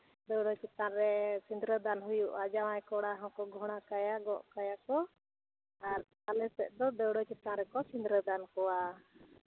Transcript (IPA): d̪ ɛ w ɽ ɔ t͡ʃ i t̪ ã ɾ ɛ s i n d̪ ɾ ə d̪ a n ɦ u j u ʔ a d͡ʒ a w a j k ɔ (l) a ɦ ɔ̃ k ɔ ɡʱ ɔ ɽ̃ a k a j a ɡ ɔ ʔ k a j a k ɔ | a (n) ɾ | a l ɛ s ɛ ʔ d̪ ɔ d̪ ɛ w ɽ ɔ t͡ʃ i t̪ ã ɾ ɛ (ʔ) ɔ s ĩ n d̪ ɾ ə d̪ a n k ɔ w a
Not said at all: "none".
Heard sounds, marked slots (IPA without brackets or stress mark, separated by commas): ɽ, none, k